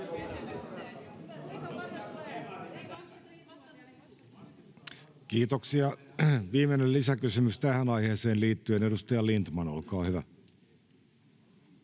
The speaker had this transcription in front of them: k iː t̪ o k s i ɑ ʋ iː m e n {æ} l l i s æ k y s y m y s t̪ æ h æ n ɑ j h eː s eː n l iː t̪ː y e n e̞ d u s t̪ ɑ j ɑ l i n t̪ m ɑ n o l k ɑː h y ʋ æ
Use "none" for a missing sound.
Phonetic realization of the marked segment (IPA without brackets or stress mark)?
e